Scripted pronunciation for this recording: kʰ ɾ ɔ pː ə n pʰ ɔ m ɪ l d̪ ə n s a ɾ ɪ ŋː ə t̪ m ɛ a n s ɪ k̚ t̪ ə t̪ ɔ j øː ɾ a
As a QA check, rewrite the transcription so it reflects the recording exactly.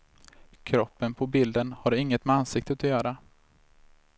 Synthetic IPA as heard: kʰ ɾ ɔ pː ə n pʰ ɔ b ɪ l d̪ ə n h a ɾ ɪ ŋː ə t̪ m ɛ a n s ɪ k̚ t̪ ə t̪ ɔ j œː ɾ a